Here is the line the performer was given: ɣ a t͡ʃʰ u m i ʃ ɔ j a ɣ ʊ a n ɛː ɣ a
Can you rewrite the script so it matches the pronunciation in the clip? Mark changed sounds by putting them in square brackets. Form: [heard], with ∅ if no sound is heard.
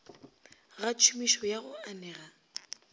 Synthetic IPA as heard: ɣ a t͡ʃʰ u m i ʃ ɔ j a ɣ ʊ a n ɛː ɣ a